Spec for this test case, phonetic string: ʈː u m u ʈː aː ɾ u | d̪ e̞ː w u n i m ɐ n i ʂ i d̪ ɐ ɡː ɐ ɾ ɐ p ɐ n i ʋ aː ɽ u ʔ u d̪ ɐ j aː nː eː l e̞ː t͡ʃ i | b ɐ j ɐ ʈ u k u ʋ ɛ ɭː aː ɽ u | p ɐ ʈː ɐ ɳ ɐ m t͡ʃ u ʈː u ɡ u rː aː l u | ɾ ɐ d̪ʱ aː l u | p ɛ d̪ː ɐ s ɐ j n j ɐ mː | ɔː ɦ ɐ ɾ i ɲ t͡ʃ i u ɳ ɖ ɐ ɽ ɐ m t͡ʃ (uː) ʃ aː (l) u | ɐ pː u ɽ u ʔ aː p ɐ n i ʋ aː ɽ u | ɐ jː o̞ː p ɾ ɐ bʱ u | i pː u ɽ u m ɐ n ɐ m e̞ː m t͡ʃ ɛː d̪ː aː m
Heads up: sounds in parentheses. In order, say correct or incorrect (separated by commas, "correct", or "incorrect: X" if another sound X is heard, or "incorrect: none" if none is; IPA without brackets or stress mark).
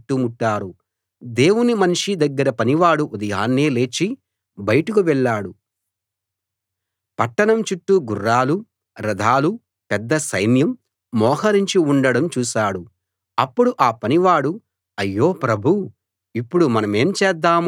correct, incorrect: ɽ